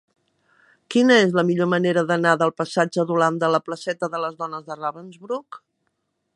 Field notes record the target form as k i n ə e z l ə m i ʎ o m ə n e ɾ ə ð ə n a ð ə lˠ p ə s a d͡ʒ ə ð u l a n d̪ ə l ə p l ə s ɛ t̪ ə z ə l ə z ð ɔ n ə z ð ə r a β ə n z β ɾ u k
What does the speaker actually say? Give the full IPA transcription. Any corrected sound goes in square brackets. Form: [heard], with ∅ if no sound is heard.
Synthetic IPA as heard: k i n ə e z l ə m i ʎ o m ə n e ɾ ə ð ə n a ð ə lˠ p ə s a d͡ʒ ə ð u l a n d̪ ə l ə p l ə s ɛ t̪ ə [ð] ə l ə z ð ɔ n ə z ð ə r a β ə n z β ɾ u k